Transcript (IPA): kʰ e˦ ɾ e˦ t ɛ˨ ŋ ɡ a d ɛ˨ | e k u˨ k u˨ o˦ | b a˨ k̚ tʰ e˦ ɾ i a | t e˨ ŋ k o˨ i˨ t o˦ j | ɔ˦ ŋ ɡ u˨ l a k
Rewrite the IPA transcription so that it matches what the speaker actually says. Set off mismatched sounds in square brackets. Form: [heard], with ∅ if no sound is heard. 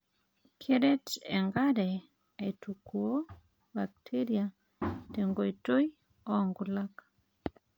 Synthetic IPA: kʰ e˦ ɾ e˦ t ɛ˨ ŋ ɡ a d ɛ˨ | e [t] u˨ k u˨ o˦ | b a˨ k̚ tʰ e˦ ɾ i a | t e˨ ŋ [ɡ] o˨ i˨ t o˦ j | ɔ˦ ŋ ɡ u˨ l a k

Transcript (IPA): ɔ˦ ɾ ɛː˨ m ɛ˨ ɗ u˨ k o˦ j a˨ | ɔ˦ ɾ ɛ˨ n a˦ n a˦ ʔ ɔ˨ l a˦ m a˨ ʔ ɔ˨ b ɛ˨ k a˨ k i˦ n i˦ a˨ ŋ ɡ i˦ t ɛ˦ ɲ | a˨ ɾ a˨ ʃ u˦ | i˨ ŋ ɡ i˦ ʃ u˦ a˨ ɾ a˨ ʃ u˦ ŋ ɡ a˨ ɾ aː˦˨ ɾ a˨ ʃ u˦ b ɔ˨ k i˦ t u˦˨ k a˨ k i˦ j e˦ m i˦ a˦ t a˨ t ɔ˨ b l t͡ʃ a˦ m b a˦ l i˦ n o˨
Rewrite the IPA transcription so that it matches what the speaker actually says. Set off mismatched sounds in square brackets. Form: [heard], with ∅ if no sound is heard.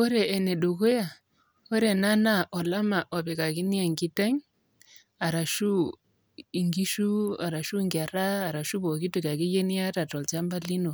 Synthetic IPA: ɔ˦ ɾ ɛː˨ [n] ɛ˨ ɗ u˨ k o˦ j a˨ | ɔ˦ ɾ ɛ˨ n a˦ n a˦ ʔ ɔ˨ l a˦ m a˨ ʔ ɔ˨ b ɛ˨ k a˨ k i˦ n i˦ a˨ ŋ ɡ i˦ t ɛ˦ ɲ | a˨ ɾ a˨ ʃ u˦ | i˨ ŋ ɡ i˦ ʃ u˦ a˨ ɾ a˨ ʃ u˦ ŋ ɡ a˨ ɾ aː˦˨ ɾ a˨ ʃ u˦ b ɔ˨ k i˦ t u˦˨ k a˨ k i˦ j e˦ [n] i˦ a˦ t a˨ t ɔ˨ [∅] l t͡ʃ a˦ m b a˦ l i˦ n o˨

